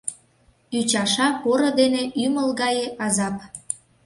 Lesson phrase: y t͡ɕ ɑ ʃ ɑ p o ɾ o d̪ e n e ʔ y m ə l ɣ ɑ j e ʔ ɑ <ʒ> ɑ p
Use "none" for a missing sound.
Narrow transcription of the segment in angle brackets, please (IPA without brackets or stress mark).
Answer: z